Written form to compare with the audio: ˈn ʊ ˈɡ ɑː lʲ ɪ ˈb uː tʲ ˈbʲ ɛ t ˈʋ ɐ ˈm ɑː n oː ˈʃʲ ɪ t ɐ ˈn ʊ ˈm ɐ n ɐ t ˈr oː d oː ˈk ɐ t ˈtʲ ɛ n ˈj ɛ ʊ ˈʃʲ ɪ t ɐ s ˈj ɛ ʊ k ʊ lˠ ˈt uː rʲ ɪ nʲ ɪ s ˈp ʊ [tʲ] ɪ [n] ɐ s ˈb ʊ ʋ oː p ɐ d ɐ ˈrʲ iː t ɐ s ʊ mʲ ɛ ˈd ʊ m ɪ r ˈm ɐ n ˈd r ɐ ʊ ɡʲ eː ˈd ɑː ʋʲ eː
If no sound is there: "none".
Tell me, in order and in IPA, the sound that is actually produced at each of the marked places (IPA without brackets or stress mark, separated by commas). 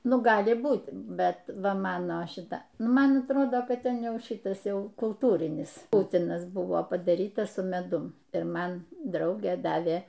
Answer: tʲ, n